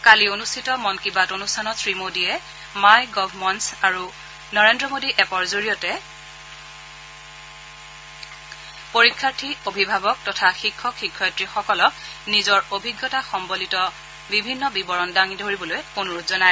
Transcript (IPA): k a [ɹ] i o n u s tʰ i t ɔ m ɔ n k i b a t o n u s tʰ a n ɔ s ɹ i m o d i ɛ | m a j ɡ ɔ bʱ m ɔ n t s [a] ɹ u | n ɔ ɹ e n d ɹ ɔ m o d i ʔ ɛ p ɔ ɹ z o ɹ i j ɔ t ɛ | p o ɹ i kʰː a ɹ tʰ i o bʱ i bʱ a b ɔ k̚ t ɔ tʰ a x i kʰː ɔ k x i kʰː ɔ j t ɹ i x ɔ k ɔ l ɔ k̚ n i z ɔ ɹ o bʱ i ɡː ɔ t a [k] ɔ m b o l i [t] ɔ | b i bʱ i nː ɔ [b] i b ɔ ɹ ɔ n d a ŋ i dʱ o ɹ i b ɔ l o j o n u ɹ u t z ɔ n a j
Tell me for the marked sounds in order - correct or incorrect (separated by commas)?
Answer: incorrect, correct, incorrect, correct, correct